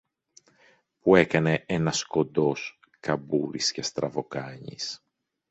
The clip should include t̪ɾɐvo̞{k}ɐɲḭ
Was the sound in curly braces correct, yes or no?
yes